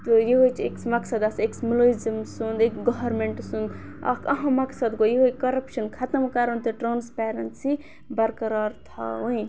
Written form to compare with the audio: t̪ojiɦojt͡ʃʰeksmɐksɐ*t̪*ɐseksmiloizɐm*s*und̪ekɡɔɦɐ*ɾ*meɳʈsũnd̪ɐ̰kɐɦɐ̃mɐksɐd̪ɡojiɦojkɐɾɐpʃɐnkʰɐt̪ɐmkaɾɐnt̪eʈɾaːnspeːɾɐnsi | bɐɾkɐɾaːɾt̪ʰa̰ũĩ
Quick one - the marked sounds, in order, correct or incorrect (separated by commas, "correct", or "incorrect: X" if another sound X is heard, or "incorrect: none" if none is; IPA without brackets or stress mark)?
incorrect: d̪, correct, correct